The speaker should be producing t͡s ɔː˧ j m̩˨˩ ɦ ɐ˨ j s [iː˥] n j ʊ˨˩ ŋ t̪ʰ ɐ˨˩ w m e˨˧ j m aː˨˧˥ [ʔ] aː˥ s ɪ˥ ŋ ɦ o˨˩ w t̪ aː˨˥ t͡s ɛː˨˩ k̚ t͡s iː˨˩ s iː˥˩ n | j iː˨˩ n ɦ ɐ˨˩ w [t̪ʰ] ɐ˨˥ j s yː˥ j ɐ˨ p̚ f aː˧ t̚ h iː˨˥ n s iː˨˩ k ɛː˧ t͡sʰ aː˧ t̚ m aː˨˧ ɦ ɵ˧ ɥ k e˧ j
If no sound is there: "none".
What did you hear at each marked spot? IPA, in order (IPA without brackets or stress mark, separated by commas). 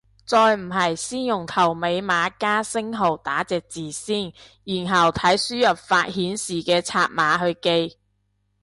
iː˥, k, t̪ʰ